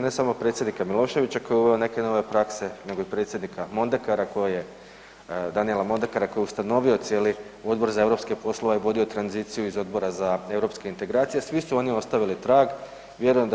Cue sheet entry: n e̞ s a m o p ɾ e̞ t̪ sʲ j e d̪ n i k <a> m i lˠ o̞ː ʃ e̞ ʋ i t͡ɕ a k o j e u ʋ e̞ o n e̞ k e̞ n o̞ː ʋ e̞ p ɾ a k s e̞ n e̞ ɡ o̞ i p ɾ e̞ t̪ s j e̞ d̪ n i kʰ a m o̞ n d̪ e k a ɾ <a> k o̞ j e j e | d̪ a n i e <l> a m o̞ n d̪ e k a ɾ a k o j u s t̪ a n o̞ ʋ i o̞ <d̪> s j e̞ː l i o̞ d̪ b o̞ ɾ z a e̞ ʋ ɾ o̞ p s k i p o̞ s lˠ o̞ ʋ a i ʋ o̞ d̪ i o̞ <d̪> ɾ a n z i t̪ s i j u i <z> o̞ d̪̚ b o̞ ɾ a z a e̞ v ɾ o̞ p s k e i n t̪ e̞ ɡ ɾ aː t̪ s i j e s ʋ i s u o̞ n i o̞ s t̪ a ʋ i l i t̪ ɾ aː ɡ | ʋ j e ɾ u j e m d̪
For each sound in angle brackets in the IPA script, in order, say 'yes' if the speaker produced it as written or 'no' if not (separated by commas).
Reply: yes, yes, yes, no, no, yes